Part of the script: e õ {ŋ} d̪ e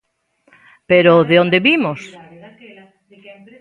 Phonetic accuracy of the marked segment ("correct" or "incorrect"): incorrect